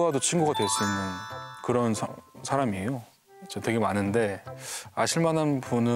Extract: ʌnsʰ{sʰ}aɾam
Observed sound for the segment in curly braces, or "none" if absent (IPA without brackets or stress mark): sʰ